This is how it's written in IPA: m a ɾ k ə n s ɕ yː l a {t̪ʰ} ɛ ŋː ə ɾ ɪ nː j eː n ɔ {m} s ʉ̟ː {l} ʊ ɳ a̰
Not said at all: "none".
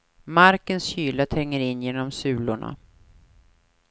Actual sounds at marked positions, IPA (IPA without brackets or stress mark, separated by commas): t̪ʰ, m, l